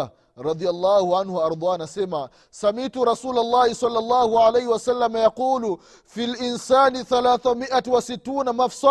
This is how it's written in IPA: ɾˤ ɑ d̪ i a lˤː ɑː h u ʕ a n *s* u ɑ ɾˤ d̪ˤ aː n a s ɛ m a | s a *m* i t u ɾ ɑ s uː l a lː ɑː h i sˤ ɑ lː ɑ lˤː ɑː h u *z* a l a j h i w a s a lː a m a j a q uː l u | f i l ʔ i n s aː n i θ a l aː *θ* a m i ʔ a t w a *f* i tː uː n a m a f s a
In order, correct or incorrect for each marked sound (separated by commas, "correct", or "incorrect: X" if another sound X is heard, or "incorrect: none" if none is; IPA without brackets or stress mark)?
incorrect: h, correct, incorrect: ʕ, correct, incorrect: s